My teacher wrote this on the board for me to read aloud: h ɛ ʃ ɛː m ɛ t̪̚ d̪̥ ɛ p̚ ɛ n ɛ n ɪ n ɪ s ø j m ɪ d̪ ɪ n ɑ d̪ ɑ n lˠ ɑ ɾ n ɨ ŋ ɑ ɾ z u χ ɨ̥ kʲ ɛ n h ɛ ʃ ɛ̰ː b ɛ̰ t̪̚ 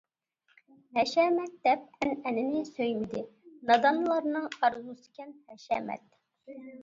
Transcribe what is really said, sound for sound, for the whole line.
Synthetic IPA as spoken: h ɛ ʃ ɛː m ɛ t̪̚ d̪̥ ɛ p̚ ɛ n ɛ n ɪ n ɪ s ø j m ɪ d̪ ɪ n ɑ d̪ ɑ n lˠ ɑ ɾ n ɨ ŋ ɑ ɾ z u s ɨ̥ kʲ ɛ n h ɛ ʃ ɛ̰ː m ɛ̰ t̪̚

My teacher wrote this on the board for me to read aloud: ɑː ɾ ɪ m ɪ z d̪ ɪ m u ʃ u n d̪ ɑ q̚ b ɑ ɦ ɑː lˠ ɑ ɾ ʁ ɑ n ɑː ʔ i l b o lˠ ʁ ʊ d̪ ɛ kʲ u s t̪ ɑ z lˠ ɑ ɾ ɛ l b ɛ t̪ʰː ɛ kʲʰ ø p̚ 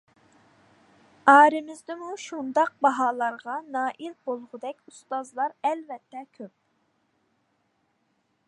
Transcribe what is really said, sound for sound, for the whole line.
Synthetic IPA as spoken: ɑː ɾ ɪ m ɪ z d̪ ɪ m u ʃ u n d̪ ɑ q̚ b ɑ ɦ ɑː lˠ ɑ ɾ ʁ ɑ n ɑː ʔ i l b o lˠ ʁ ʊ d̪ ɛ kʲ u s t̪ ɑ z lˠ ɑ ɾ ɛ l v ɛ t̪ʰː ɛ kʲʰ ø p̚

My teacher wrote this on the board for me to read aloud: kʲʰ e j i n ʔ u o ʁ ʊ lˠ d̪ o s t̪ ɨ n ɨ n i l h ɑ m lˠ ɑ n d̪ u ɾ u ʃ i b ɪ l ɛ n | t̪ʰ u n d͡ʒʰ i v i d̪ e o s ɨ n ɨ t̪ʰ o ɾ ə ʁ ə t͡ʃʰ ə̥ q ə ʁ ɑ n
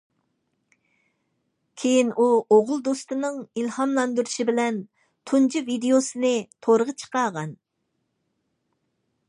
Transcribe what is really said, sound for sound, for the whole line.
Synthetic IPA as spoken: kʲʰ e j i n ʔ u o ʁ ʊ lˠ d̪ o s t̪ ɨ n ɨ ŋ i l h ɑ m lˠ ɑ n d̪ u ɾ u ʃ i b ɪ l ɛ n | t̪ʰ u n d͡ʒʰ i v i d̪ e o s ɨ n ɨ t̪ʰ o ɾ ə ʁ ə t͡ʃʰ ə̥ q ɑ ʁ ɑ n

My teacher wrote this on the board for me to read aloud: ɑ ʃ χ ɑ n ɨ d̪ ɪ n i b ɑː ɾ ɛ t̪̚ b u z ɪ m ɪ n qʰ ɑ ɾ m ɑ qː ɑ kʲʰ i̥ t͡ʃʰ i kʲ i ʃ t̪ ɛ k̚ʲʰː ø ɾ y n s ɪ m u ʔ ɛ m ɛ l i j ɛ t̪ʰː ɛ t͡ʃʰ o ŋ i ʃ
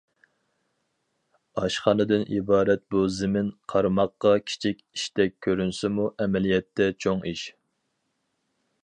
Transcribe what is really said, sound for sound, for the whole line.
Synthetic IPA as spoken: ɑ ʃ χ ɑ n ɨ d̪ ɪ n i b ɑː ɾ ɛ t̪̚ b u z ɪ m ɪ n qʰ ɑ ɾ m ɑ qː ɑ kʲʰ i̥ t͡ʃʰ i kʲ i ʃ t̪ ɛ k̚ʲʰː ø ɾ y n s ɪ m u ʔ ɛ m ɛ l i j ɛ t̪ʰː ɛ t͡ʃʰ o ŋ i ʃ

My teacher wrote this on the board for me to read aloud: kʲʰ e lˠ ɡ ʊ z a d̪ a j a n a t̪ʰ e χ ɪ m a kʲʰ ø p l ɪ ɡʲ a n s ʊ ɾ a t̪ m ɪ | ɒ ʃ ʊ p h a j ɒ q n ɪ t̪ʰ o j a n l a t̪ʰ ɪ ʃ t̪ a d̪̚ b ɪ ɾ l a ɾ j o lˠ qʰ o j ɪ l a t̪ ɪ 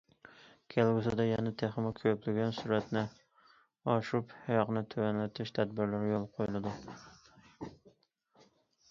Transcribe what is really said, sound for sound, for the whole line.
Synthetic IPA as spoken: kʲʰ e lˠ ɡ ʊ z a d̪ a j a n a t̪ʰ e χ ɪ m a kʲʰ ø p l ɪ ɡʲ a n s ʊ ɾ a t̪ n ɪ | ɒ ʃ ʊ p h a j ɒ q n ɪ t̪ʰ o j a n l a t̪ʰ ɪ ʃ t̪ʰ a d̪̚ b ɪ ɾ l a ɾ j o lˠ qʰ o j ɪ l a d̪ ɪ

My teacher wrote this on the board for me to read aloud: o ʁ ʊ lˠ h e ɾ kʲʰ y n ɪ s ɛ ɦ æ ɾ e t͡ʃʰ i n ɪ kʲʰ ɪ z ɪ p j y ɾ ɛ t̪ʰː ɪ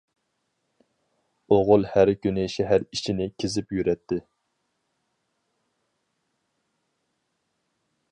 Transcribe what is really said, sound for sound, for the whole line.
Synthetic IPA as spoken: o ʁ ʊ lˠ h æ ɾ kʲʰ y n ɪ ʃ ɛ ɦ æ ɾ i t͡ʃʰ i n ɪ kʲʰ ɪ z ɪ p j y ɾ ɛ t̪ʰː ɪ

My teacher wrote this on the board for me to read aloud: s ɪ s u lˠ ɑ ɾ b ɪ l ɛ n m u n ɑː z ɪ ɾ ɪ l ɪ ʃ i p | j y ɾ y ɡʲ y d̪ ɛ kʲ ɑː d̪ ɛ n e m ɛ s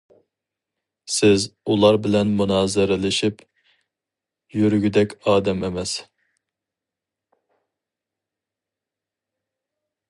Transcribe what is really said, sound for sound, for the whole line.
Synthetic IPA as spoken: s ɪ z u lˠ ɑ ɾ b ɪ l ɛ n m u n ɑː z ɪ ɾ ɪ l ɪ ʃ i p | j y ɾ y ɡʲ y d̪ ɛ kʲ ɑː d̪ ɛ m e m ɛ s

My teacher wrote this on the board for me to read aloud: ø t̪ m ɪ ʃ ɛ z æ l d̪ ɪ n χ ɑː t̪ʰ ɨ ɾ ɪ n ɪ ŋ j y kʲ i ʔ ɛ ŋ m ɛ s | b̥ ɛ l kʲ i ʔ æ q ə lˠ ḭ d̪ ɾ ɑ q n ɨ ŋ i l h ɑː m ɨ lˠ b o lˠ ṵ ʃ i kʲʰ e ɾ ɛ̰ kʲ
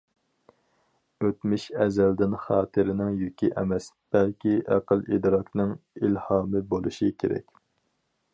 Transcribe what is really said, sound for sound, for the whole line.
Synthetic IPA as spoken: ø t̪ m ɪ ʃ ɛ z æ l d̪ ɪ n χ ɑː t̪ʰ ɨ ɾ ɪ n ɪ ŋ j y kʲ i ʔ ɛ m ɛ s | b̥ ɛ l kʲ i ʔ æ q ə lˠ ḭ d̪ ɾ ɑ k n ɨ ŋ i l h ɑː m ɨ b o lˠ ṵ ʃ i kʲʰ e ɾ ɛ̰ kʲ

